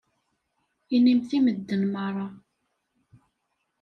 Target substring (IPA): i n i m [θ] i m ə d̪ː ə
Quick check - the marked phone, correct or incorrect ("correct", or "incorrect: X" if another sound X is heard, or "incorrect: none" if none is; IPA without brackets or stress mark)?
correct